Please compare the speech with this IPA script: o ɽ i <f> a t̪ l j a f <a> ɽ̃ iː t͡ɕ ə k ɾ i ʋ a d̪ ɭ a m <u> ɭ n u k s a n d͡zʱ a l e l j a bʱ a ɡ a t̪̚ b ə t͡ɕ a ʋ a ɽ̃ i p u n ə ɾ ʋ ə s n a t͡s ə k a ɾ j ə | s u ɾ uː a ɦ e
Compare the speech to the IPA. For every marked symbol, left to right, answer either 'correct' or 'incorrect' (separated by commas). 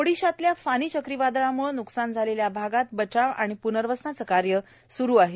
incorrect, correct, correct